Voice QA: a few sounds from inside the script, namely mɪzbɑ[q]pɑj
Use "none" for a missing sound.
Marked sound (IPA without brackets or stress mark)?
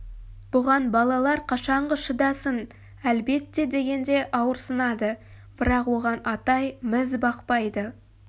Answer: q